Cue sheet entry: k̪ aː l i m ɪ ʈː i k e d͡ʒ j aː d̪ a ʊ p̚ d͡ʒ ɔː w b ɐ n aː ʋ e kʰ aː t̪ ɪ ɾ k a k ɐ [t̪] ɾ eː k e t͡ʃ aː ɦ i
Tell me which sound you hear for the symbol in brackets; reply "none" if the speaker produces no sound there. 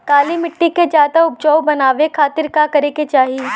none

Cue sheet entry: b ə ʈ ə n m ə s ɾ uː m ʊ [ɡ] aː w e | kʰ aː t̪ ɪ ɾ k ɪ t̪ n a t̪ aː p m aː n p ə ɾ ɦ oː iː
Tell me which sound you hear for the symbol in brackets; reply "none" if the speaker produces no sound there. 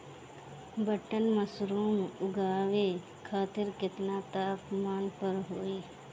ɡ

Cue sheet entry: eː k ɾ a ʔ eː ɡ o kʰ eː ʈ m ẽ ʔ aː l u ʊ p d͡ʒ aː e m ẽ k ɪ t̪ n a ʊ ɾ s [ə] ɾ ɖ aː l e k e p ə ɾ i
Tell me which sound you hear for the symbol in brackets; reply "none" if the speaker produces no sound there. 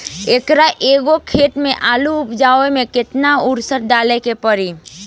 ə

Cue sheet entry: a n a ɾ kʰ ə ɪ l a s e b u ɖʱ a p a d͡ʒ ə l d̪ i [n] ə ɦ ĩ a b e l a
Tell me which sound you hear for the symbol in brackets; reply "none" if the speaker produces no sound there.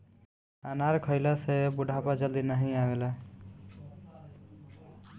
n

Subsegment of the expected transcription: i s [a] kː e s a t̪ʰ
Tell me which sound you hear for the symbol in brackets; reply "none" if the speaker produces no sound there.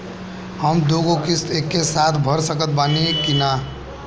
e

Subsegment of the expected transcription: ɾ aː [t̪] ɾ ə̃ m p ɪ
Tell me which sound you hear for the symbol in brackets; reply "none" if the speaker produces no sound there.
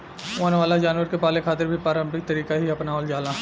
none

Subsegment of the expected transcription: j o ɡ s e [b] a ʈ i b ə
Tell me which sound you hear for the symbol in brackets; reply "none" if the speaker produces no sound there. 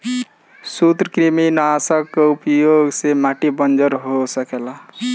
m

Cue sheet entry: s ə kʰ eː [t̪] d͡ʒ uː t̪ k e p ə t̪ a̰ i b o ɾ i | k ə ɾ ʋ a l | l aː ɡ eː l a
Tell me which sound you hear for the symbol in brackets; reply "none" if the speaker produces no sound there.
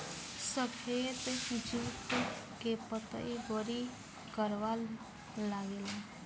t̪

